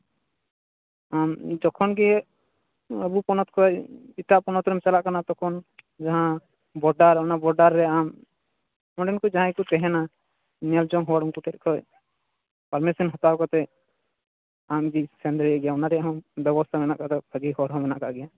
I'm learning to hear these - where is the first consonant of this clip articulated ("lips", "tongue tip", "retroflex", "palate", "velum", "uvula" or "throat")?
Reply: lips